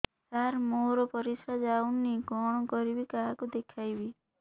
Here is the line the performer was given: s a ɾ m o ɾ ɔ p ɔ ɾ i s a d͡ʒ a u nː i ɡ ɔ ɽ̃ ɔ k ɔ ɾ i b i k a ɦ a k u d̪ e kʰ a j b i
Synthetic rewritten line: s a ɾ m o ɾ ɔ p ɔ ɾ i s a d͡ʒ a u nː i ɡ ɔ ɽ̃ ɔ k ɔ ɾ i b i k a ɦ a k u d̪ e kʰ a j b i